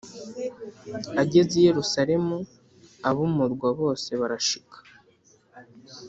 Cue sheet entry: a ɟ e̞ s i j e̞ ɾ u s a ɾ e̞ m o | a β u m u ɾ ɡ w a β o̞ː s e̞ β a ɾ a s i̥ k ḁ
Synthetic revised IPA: a ɟ e̞ z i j e̞ ɾ u s a ɾ e̞ m u | a β u m u ɾ ɡ w a β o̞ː s e̞ β a ɾ a ʃ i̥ k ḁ